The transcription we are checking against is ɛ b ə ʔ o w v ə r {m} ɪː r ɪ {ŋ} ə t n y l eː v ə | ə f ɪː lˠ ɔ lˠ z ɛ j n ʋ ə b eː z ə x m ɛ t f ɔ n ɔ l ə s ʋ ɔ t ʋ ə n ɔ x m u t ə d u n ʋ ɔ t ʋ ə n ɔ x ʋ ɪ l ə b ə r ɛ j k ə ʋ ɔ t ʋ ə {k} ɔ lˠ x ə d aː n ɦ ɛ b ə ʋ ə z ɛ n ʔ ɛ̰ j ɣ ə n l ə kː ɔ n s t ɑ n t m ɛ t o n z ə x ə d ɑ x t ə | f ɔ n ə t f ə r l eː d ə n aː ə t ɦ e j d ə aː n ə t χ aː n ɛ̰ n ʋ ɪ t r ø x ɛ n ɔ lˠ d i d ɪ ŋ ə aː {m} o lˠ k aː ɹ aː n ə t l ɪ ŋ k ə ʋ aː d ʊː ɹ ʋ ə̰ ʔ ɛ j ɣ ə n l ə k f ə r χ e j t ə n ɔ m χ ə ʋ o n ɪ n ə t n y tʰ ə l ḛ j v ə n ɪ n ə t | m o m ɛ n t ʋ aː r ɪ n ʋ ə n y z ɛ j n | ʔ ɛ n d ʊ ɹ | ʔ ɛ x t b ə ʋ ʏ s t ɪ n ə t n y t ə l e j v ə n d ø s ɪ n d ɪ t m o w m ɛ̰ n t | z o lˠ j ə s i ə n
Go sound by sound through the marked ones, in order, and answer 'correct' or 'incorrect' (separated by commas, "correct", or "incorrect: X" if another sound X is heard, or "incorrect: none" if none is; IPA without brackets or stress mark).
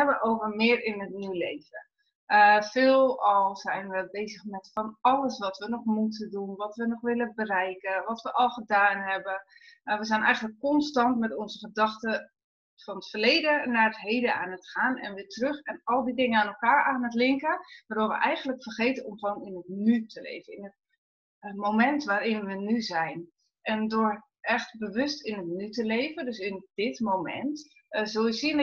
correct, incorrect: n, incorrect: ʔ, incorrect: n